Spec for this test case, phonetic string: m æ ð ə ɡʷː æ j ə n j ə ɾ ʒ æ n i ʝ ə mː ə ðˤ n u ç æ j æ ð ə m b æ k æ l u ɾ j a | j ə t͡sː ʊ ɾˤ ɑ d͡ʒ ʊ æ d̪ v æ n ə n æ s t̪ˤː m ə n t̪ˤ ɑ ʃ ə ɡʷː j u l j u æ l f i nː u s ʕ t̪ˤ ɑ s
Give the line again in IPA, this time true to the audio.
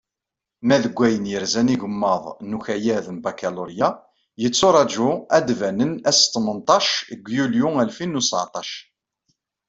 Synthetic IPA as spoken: m æ ð ə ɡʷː æ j ə n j ə ɾ z æ n i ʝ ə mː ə ðˤ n u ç æ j æ ð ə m b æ k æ l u ɾ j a | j ə t͡sː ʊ ɾˤ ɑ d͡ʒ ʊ æ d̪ v æ n ə n æ s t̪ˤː m ə n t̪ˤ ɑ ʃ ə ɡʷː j u l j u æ l f i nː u s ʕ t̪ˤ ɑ ʃ